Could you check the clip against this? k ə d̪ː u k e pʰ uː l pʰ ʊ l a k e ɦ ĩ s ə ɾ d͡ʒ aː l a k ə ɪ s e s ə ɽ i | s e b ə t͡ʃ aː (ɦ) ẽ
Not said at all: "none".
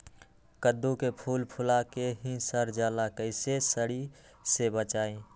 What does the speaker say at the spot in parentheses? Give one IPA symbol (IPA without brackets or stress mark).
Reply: none